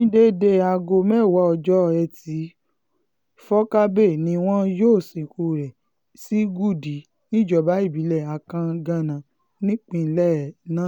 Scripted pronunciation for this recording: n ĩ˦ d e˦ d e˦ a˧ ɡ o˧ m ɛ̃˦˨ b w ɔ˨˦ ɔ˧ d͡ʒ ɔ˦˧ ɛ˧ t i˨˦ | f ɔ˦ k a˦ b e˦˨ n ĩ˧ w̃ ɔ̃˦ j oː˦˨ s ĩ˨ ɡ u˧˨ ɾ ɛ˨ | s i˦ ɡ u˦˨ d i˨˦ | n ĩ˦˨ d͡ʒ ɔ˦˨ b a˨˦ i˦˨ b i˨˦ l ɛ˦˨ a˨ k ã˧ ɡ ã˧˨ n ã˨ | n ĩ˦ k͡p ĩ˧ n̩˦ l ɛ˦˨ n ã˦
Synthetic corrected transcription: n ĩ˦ d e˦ d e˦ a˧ ɡ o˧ m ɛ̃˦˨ w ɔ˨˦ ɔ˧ d͡ʒ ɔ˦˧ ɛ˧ t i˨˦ | f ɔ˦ k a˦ b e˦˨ n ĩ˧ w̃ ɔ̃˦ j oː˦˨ s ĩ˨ k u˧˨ ɾ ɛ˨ | s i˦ ɡ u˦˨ d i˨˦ | n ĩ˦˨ d͡ʒ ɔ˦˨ b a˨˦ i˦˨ b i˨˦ l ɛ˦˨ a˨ k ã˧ ɡ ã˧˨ n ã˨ | n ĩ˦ k͡p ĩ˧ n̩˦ l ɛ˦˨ n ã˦